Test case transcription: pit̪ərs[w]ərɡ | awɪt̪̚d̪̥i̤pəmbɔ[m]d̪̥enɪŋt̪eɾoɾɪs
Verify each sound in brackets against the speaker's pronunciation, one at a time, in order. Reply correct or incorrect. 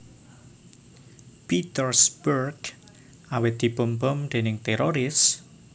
incorrect, correct

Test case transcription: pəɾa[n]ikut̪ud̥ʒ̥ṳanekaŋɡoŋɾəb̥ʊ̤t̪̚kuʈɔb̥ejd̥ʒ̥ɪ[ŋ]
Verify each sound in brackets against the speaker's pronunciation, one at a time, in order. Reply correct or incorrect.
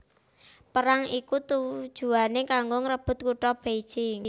incorrect, correct

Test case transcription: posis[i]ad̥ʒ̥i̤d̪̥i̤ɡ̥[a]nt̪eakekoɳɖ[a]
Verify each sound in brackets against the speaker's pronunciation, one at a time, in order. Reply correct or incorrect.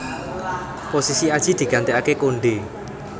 correct, correct, incorrect

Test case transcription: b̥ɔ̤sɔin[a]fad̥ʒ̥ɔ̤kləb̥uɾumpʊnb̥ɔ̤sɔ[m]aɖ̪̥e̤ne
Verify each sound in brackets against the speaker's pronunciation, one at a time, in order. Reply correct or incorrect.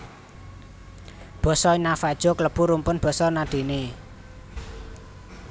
correct, incorrect

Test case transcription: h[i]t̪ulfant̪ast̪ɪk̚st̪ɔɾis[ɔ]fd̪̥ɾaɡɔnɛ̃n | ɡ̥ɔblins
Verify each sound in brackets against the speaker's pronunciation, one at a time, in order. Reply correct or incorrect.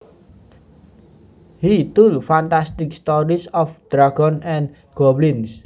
correct, correct

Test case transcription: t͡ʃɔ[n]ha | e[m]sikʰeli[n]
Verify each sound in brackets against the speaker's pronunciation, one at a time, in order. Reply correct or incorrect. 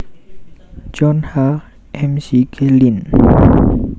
correct, correct, correct

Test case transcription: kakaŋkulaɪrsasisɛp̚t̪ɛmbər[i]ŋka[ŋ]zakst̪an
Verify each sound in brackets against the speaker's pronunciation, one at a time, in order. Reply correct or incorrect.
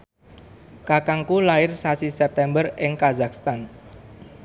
incorrect, incorrect

